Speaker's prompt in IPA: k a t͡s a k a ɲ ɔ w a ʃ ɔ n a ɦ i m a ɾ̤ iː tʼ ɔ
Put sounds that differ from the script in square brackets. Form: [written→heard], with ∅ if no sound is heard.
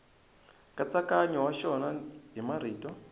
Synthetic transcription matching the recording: k a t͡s a k a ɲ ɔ w a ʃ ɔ n a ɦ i m a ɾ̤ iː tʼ ɔ